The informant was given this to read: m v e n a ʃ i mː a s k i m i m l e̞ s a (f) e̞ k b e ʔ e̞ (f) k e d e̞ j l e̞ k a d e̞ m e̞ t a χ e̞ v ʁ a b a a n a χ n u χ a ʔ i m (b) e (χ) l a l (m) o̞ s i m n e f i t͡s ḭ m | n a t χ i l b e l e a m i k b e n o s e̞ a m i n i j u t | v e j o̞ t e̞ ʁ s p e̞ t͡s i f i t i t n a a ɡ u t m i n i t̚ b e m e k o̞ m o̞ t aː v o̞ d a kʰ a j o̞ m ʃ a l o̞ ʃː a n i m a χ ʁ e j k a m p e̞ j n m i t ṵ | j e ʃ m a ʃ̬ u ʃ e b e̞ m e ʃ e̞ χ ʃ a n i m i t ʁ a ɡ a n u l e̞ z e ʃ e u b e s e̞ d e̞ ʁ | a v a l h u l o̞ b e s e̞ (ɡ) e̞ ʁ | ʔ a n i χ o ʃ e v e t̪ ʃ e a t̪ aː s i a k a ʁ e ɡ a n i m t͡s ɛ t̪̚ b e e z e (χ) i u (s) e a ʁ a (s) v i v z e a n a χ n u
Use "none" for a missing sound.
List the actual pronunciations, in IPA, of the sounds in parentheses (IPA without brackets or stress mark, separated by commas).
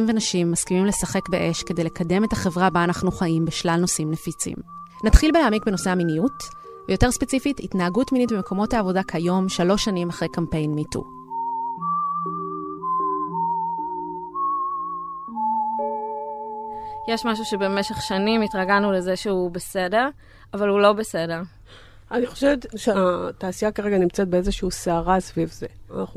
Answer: χ, ʃ, b, ʃ, n, d, ʃ, s, s